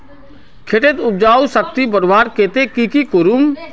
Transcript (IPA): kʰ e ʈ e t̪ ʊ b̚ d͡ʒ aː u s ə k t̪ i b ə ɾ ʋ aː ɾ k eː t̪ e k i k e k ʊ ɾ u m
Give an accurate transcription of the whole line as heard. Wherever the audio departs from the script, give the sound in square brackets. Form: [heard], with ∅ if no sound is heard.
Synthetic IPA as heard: kʰ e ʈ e t̪ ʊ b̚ d͡ʒ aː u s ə k t̪ i b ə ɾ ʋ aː ɾ k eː t̪ e k i k [i] k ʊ ɾ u m

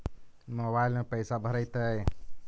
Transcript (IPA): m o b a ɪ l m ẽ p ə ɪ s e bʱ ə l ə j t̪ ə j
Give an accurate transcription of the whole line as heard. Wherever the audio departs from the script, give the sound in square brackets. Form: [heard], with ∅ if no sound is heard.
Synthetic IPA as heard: m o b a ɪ l m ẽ p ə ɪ s [a] bʱ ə [ɾ] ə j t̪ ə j

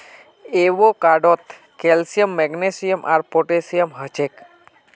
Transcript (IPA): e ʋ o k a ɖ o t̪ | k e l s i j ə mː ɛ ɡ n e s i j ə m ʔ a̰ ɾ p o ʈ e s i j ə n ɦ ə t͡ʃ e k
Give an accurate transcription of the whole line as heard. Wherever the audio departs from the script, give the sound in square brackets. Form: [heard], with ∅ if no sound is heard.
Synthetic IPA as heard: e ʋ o k a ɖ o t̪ | k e l s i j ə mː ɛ ɡ n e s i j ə m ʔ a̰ ɾ p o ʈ e s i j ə [m] ɦ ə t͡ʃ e k

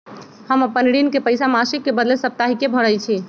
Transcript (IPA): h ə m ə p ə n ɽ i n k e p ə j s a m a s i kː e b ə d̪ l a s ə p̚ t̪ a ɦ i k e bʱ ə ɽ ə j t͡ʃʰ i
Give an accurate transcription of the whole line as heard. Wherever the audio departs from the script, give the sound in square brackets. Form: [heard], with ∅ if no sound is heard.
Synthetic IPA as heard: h ə m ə p ə n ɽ i n k e p ə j s a m a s i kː e b ə d̪ l [e] s ə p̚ t̪ a ɦ i k e bʱ ə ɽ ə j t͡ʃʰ i

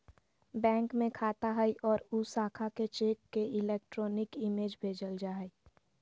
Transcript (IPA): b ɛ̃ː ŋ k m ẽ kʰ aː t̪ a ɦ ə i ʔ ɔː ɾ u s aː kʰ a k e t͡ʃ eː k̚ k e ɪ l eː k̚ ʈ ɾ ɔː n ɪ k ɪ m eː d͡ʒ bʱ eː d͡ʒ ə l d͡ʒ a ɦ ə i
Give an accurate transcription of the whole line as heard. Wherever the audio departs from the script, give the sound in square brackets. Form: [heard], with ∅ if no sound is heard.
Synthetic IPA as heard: b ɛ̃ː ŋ k m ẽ kʰ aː t̪ a ɦ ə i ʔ ɔː ɾ u s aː kʰ a k e t͡ʃ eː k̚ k e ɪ l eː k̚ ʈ ɾ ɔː n ɪ k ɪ m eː d͡ʒ bʱ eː d͡ʒ ə l d͡ʒ a ɦ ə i

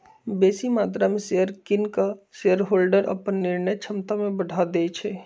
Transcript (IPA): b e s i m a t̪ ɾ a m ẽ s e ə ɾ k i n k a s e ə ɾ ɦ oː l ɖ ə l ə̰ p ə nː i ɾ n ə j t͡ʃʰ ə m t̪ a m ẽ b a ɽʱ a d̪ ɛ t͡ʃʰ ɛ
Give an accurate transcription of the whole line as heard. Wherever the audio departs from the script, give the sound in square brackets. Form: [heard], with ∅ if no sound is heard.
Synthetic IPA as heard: b e s i m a t̪ ɾ a m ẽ s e ə ɾ k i n k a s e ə ɾ ɦ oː l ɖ ə [ɾ] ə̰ p ə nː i ɾ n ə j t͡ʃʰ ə m t̪ a m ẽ b [ə] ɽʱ a d̪ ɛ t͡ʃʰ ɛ

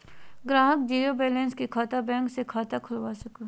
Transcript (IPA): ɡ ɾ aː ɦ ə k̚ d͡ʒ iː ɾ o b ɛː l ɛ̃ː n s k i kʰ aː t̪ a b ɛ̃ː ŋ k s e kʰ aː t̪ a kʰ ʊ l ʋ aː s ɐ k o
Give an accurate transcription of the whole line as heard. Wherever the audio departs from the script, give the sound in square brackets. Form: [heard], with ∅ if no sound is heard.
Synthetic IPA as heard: ɡ ɾ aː ɦ ə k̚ d͡ʒ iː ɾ o b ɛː l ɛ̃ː n s k i kʰ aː t̪ a b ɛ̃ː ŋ k s e kʰ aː t̪ a kʰ ʊ l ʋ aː s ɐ k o

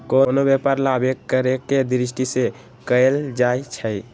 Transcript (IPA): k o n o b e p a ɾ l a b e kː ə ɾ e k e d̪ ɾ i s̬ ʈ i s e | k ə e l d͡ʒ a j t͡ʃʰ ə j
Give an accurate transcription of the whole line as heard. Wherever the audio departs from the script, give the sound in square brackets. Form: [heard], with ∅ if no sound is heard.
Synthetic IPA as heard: k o n o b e p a ɾ l a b e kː ə ɾ e k e d̪ ɾ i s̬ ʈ i s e | k ə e l d͡ʒ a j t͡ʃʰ ə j

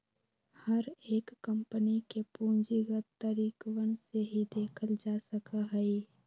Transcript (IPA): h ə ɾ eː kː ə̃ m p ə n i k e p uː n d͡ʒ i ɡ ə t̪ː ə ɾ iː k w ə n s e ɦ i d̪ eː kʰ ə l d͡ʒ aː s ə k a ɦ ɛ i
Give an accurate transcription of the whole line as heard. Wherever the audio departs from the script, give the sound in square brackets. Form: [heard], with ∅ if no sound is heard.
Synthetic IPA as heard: h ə ɾ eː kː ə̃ m p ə n i k e p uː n d͡ʒ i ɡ ə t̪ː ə ɾ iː k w ə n s e ɦ i d̪ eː kʰ ə l d͡ʒ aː s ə k a ɦ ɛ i

